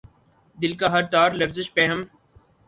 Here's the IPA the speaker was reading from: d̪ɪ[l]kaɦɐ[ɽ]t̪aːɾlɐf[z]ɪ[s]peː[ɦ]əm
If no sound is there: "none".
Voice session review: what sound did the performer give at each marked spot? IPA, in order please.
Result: l, ɾ, z, ʃ, ɦ

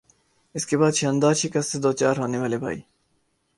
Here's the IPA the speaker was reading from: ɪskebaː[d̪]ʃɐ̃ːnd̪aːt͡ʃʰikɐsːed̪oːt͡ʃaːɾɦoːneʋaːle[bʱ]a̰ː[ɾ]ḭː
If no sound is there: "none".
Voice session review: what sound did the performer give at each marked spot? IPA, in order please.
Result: d̪, bʱ, none

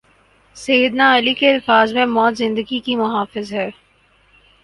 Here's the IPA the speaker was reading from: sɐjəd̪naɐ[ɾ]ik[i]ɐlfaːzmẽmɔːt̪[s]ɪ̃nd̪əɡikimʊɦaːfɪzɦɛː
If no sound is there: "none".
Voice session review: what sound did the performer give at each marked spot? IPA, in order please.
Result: l, e, z

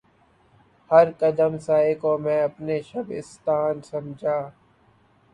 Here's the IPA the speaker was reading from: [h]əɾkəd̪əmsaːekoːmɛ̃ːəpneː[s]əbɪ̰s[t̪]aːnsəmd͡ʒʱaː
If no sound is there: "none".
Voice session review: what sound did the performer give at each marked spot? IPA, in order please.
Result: h, ʃ, t̪

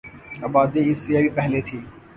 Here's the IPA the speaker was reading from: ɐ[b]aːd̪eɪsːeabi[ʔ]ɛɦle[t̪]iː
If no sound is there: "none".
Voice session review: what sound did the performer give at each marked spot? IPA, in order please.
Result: b, p, t̪ʰ

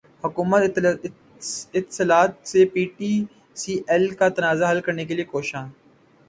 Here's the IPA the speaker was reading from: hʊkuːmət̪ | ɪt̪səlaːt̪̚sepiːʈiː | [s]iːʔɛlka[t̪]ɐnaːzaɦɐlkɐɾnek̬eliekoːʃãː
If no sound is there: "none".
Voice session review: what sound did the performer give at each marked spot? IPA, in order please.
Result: s, t̪

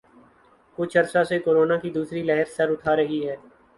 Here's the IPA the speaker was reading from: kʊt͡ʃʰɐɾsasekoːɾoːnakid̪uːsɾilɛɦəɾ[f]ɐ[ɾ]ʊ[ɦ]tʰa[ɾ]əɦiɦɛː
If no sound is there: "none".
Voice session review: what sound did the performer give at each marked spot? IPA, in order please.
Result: s, ɾ, none, ɾ

